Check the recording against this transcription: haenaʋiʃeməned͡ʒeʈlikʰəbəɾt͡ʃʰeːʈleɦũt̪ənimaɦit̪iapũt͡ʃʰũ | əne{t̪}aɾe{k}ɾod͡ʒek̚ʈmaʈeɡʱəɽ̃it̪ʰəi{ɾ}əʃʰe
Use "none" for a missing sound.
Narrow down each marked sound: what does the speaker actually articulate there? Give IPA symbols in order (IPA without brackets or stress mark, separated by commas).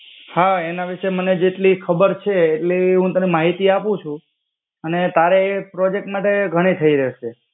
t̪, p, ɾ